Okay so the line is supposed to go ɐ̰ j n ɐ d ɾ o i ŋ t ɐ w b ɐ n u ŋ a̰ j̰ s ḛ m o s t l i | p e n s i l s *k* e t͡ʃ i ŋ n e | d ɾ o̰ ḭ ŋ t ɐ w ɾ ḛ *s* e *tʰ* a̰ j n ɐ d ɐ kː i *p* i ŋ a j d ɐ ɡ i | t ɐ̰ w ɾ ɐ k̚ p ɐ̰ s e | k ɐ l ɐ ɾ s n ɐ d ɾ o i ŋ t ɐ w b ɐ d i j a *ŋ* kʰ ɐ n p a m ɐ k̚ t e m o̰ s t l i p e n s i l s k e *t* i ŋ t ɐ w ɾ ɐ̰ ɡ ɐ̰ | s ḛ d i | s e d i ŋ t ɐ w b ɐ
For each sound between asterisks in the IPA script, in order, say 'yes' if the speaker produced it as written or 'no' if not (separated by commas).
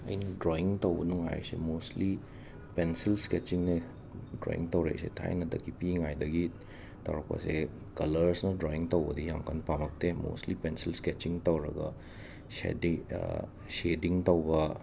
yes, yes, yes, yes, no, no